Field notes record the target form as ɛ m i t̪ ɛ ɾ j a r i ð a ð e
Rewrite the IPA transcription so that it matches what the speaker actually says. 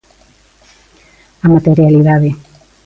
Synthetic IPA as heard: a m a t̪ e ɾ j a l i ð a ð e